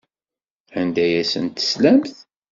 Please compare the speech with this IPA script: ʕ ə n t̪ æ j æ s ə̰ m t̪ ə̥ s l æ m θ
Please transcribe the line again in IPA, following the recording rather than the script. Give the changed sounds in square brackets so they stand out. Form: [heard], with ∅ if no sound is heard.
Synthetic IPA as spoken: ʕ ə n [d̪] æ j æ s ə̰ [n] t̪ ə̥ s l æ m θ